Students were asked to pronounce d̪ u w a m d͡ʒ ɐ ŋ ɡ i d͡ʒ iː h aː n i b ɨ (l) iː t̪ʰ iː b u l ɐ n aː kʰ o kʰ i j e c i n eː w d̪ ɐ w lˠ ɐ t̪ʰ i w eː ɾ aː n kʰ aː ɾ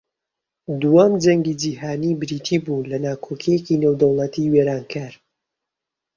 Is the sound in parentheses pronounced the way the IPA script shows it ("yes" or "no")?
no